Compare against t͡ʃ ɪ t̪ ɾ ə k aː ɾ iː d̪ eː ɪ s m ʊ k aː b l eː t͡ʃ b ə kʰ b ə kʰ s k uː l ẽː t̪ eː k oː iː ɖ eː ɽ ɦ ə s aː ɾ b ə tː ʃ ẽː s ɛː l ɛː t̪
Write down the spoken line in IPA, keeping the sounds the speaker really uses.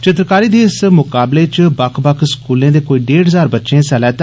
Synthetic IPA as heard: t͡ʃ ɪ t̪ ɾ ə k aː ɾ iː d̪ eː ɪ s m ʊ k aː b l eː t͡ʃ b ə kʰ b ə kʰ s k uː l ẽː d̪ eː k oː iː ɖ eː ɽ ɦ ə z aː ɾ b ə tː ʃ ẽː s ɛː l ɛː t̪

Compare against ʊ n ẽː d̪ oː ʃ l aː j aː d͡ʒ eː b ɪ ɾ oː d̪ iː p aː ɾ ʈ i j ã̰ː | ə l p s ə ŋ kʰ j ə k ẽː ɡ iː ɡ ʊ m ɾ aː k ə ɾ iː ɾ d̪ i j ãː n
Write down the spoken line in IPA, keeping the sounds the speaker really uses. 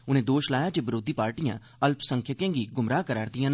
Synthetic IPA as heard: ʊ n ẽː d̪ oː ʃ l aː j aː d͡ʒ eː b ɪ ɾ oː d̪ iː p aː ɾ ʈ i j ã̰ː | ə l p s ə ŋ kʰ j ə k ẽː ɡ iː ɡ ʊ m ɾ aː k ə ɾ aː ɾ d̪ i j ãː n

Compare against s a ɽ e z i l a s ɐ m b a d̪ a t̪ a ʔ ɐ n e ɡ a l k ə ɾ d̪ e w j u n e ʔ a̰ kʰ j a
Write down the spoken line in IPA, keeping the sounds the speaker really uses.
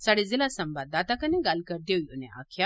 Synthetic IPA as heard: s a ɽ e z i l a s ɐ m b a d̪ a t̪ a k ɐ n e ɡ a l k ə ɾ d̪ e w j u n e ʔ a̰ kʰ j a

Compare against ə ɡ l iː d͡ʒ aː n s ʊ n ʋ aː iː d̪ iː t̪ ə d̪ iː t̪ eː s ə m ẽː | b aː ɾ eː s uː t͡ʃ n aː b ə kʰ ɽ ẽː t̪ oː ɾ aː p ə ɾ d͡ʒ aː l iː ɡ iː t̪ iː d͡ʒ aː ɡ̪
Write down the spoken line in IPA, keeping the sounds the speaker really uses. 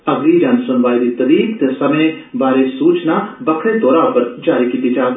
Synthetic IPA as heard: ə ɡ l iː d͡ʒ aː n s ʊ n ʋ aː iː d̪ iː t̪ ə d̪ iː t̪ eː s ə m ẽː | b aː ɾ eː s uː t͡ʃ n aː b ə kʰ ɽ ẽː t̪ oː ɾ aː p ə ɾ d͡ʒ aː ɾ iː k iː t̪ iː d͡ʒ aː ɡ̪

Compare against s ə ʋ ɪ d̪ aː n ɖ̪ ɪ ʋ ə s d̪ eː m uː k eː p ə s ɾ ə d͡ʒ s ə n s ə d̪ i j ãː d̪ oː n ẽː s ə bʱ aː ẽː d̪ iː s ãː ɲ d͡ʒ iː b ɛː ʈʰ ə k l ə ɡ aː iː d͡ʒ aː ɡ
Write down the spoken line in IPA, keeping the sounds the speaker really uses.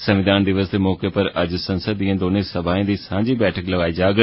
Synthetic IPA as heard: s ə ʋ ɪ d̪ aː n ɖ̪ ɪ ʋ ə s d̪ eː m ɔː k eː p ə ɾ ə d͡ʒ s ə n s ə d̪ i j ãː d̪ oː n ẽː s ə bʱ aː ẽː d̪ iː s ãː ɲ d͡ʒ iː b ɛː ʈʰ ə k l ə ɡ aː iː d͡ʒ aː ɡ

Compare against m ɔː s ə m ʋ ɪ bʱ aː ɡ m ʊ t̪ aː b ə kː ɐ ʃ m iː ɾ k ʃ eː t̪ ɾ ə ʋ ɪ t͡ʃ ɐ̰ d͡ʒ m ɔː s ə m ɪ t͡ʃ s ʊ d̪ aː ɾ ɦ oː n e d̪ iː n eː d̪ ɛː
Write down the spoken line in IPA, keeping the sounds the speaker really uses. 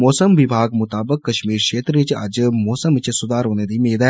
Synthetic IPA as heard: m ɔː s ə m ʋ ɪ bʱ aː ɡ m ʊ t̪ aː b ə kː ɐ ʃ m iː ɾ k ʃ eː t̪ ɾ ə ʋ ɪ t͡ʃ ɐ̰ d͡ʒ m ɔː s ə m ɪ t͡ʃ s ʊ d̪ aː ɾ ɦ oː n e d̪ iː m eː d̪ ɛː

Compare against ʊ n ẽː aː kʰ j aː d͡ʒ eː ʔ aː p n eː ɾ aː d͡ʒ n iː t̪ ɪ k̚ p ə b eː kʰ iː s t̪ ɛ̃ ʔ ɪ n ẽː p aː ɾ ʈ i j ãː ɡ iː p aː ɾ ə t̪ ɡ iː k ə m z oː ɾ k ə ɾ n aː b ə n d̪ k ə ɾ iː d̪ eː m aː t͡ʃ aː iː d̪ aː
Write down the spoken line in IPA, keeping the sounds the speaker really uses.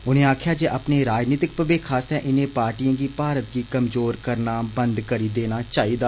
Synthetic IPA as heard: ʊ n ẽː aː kʰ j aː d͡ʒ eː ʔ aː p n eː ɾ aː d͡ʒ n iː t̪ ɪ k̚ p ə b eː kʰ aː s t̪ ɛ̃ ʔ ɪ n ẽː p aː ɾ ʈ i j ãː ɡ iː p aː ɾ ə t̪ ɡ iː k ə m z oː ɾ k ə ɾ n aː b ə n d̪ k ə ɾ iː d̪ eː n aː t͡ʃ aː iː d̪ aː

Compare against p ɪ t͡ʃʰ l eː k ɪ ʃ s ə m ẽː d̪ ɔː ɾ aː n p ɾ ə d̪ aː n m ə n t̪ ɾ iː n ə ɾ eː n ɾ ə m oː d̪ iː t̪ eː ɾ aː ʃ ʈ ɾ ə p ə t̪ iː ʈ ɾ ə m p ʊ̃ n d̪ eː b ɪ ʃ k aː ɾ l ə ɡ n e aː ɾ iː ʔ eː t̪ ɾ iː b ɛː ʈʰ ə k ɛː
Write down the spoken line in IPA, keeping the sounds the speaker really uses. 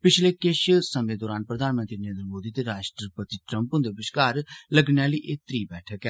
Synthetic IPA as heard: p ɪ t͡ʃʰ l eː k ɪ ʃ s ə m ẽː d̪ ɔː ɾ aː n p ɾ ə d̪ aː n m ə n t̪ ɾ iː n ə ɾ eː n ɾ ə m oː d̪ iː t̪ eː ɾ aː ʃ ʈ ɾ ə p ə t̪ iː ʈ ɾ ə m p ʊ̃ n d̪ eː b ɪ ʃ k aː ɾ l ə ɡ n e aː l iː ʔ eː t̪ ɾ iː b ɛː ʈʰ ə k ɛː

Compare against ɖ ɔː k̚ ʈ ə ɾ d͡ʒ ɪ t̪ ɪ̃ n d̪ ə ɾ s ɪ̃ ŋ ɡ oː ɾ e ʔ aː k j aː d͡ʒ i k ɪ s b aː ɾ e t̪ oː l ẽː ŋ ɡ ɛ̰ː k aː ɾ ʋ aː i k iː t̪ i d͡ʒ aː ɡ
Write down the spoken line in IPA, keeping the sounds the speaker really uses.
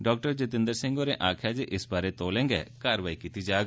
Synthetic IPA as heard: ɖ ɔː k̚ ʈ ə ɾ d͡ʒ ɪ t̪ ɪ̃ n d̪ ə ɾ s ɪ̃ ŋ ɡ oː ɾ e ʔ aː kʰ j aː d͡ʒ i ʔ ɪ s b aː ɾ e t̪ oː l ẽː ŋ ɡ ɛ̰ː k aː ɾ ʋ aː i k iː t̪ i d͡ʒ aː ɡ

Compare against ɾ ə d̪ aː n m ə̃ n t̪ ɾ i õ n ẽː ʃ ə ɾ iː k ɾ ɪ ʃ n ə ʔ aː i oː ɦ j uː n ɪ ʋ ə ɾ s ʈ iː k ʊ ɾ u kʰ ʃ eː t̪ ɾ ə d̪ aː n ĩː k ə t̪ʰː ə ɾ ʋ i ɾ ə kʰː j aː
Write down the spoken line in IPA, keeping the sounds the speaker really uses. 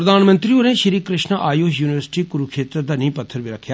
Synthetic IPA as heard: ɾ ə d̪ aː n m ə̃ n t̪ ɾ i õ n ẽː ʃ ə ɾ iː k ɾ ɪ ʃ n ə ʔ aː j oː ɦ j uː n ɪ ʋ ə ɾ s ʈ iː k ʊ ɾ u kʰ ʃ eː t̪ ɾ ə d̪ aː n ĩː p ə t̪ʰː ə ɾ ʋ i ɾ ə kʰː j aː

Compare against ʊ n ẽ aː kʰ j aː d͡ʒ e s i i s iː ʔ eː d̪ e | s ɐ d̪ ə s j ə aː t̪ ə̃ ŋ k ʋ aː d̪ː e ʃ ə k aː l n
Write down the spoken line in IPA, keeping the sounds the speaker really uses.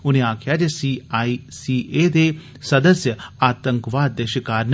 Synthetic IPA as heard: ʊ n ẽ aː kʰ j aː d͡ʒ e s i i s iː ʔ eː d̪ e | s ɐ d̪ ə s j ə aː t̪ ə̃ ŋ k ʋ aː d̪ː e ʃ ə k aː ɾ n

